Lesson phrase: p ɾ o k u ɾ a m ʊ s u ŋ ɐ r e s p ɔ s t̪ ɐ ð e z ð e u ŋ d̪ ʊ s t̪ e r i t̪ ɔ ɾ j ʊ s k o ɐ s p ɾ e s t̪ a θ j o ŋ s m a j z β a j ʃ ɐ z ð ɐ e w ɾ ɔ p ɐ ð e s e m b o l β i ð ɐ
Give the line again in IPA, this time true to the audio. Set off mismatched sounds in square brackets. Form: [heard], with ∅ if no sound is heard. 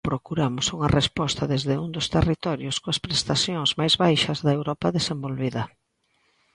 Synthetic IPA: p ɾ o k u ɾ a m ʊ s u ŋ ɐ r e s p ɔ s t̪ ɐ ð e z ð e u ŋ d̪ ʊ s t̪ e r i t̪ ɔ ɾ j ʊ s k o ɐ s p ɾ e s t̪ a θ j o ŋ [z] m a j z β a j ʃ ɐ z ð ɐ e w ɾ ɔ p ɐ ð e s e m b o l β i ð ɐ